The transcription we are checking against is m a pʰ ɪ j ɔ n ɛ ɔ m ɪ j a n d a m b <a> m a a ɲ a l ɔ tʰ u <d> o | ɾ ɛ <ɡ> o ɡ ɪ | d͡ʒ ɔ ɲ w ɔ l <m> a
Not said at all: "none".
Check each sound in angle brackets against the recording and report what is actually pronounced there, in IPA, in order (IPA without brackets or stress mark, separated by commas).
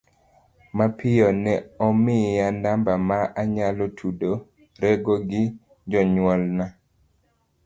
a, d, ɡ, n